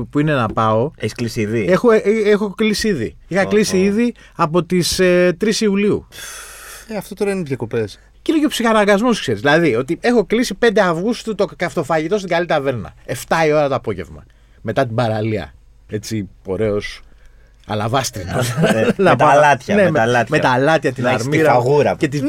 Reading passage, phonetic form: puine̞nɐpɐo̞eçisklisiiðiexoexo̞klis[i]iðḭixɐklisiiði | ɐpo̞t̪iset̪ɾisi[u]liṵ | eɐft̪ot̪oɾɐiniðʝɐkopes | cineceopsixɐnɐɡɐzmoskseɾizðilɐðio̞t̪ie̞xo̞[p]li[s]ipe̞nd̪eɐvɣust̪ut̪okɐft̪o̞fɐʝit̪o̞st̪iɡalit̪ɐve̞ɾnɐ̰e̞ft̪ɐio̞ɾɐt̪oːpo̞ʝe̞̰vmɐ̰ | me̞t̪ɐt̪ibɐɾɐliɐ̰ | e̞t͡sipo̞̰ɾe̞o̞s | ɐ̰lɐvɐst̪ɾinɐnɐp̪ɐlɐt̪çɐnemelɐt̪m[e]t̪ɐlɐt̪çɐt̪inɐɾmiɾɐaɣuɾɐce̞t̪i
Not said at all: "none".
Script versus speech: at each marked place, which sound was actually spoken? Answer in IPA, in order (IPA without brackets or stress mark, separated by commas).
i, u, k, s, e